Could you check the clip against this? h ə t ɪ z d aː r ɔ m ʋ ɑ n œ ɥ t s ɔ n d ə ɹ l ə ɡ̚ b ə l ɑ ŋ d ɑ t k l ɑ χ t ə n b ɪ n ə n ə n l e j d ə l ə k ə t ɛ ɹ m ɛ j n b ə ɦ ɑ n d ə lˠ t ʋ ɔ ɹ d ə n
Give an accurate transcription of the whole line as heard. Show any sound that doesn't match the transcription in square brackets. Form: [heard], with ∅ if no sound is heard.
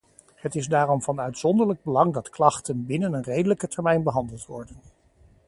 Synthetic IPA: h ə t ɪ z d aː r ɔ m [v] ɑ n œ ɥ t s ɔ n d ə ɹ l ə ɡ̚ b ə l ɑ ŋ d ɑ t k l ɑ χ t ə n b ɪ n ə n ə n [r] e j d ə l ə k ə t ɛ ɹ m ɛ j n b ə ɦ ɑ n d ə lˠ t ʋ ɔ ɹ d ə n